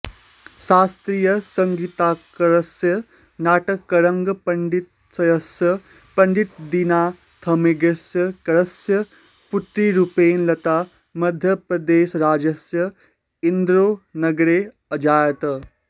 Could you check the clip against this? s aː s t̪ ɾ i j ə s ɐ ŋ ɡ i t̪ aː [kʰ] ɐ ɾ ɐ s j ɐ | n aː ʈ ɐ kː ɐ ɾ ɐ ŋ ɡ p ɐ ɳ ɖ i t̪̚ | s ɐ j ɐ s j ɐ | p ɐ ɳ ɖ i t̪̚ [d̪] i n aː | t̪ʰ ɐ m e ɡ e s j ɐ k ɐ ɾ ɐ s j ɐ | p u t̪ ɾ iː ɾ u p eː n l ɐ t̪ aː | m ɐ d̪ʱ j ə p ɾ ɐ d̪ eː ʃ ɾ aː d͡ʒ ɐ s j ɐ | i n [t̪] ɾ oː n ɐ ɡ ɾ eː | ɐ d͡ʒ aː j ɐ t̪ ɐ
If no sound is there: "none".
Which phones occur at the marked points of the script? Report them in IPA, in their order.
k, d̪, d̪

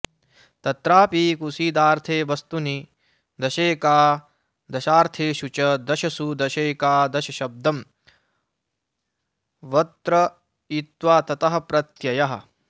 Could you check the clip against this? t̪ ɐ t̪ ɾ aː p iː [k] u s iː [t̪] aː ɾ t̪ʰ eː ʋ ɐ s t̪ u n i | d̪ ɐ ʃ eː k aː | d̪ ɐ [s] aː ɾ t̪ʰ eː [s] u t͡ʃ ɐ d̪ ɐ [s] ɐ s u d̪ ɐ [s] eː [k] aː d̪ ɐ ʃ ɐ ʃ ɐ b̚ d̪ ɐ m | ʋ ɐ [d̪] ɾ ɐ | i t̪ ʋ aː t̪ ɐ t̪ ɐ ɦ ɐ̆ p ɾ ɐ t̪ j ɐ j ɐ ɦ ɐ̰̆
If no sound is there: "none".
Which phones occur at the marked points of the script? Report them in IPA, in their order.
k, d̪, ʃ, ʃ, ʃ, ʃ, k, t̪

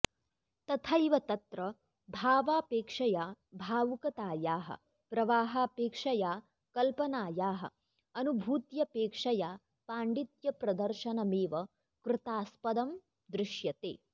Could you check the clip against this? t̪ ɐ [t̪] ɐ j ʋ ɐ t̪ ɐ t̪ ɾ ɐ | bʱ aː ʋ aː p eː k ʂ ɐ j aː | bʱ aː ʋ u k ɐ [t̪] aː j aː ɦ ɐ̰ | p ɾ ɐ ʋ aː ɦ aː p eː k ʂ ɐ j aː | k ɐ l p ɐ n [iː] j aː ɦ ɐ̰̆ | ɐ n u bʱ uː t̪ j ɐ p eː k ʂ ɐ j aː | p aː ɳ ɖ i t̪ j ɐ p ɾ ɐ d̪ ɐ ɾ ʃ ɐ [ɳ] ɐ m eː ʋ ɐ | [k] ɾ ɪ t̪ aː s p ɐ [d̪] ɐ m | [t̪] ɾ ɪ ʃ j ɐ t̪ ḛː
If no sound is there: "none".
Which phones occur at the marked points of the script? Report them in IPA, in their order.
t̪ʰ, t̪, aː, n, k, d̪, d̪

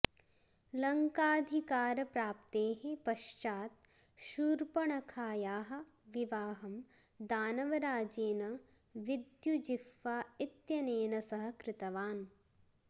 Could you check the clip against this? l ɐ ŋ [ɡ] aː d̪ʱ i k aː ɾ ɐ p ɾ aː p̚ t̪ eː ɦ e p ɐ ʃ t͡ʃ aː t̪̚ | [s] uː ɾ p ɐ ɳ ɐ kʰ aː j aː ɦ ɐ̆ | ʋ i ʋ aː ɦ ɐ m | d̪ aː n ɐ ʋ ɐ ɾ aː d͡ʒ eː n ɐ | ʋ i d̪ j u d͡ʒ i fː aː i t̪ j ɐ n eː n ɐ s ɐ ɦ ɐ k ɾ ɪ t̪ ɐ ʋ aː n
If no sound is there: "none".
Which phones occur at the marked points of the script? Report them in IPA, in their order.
k, ʃ

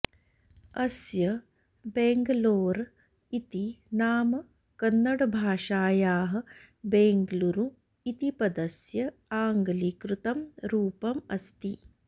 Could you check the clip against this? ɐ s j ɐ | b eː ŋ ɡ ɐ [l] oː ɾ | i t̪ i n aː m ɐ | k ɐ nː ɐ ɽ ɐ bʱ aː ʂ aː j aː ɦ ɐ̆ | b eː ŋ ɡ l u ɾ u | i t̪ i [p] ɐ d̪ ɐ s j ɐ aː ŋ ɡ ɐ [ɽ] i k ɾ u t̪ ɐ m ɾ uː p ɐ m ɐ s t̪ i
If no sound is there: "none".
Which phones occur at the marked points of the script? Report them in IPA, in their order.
l, p, l

